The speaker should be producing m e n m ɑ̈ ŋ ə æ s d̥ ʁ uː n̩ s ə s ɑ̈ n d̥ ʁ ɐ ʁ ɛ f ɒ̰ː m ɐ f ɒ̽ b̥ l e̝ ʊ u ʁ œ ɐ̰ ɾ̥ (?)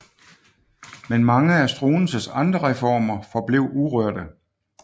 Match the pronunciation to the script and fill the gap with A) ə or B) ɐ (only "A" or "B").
A